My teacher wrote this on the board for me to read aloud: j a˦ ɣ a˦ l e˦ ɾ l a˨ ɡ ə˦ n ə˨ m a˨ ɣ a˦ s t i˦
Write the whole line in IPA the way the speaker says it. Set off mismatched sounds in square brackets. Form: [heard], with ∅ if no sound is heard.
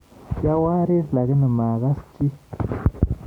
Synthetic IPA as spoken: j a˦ [w] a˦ [ɾ] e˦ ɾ l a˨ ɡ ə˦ n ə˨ m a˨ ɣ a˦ s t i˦